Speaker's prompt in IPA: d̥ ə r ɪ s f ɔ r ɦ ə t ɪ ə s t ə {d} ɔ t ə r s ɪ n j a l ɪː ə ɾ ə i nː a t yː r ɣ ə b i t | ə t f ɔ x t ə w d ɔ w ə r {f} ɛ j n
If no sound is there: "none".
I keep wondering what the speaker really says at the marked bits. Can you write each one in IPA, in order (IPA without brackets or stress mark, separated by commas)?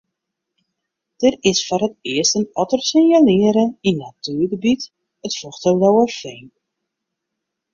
n, f